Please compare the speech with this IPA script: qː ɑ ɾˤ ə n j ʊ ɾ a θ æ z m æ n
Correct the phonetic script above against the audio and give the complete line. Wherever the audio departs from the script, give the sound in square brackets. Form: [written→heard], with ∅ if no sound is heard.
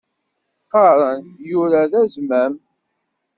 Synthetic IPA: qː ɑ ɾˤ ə n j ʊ ɾ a [θ→ð] æ z m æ [n→m]